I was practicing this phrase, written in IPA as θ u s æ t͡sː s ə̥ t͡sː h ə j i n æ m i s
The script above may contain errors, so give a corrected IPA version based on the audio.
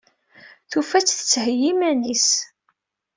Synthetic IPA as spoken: θ u f æ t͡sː θ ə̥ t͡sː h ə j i m æ n i s